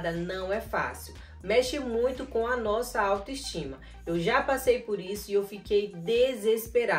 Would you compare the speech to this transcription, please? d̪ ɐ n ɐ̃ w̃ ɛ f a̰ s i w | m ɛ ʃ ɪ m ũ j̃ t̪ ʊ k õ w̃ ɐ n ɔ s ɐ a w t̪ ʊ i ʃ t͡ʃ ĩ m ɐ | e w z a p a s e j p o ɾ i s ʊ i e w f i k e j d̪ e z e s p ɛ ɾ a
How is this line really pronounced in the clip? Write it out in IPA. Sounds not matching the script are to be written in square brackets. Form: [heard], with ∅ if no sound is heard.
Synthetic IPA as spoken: d̪ ɐ n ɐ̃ w̃ ɛ f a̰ s i w | m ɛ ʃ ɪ m ũ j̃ t̪ ʊ k õ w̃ ɐ n ɔ s ɐ a w t̪ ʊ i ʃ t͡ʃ ĩ m ɐ | e w [ʒ] a p a s e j p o ɾ i s ʊ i e w f i k e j d̪ e z e s p [e] ɾ a

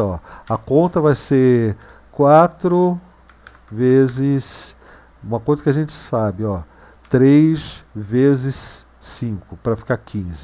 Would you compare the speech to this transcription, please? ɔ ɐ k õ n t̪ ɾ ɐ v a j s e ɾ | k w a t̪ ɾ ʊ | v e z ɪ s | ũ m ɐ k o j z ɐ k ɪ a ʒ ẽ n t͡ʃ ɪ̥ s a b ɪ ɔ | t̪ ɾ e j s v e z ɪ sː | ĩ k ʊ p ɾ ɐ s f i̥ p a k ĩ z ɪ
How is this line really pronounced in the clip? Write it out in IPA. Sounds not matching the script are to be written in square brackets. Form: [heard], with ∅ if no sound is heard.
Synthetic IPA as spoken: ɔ ɐ k õ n t̪ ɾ ɐ v a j s e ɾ | k w a t̪ ɾ ʊ | v e z ɪ s | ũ m ɐ k o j z ɐ k ɪ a ʒ ẽ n t͡ʃ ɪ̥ s a b ɪ ɔ | t̪ ɾ e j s v e z ɪ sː | ĩ k ʊ p ɾ ɐ [∅] f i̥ [k] a k ĩ z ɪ

